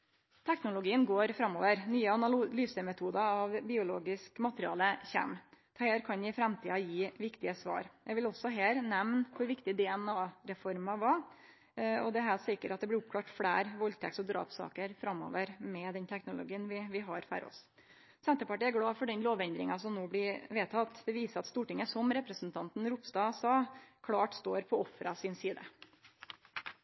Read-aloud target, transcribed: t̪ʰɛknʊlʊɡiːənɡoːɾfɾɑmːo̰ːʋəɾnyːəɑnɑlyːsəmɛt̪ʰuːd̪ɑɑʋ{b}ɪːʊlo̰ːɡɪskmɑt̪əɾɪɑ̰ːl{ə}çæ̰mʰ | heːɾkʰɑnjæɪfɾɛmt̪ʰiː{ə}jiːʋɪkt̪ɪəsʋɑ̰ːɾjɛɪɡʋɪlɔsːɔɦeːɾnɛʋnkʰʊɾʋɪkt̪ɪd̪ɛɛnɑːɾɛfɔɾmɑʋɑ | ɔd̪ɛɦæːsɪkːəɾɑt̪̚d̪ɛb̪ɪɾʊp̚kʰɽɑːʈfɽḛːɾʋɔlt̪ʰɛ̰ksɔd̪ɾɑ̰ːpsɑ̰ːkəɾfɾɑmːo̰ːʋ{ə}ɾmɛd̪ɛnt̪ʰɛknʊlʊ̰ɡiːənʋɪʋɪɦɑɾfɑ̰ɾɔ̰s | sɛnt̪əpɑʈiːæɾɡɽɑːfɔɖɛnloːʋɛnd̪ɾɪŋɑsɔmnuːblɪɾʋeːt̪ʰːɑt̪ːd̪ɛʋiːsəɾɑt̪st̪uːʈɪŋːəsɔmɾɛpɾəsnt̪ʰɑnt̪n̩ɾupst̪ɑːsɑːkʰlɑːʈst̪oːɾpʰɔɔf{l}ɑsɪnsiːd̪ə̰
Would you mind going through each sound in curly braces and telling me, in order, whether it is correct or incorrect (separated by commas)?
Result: correct, correct, incorrect, correct, incorrect